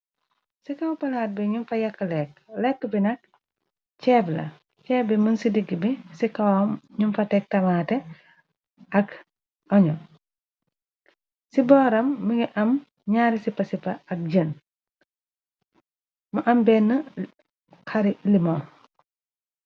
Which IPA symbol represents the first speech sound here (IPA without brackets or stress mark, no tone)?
s